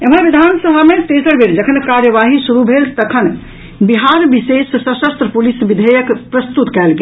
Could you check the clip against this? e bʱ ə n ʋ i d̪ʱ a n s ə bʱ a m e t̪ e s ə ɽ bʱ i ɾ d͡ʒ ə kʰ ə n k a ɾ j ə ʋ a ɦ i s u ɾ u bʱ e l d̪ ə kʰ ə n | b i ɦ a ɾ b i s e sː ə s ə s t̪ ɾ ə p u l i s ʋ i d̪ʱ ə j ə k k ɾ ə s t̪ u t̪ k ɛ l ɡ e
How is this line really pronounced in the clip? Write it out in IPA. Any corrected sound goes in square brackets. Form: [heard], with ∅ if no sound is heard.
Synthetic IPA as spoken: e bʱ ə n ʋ i d̪ʱ a n s ə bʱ a m e t̪ e s ə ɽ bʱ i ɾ d͡ʒ ə kʰ ə n k a ɾ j ə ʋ a ɦ i s u ɾ u bʱ e l [t̪] ə kʰ ə n | b i ɦ a ɾ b i s e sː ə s ə s t̪ ɾ ə p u l i s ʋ i d̪ʱ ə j ə k [p] ɾ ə s t̪ u t̪ k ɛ l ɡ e